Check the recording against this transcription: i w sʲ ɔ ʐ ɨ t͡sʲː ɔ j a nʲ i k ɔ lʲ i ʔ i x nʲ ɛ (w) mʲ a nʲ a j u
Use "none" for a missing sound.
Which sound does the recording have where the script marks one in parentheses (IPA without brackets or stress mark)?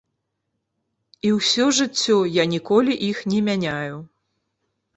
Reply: none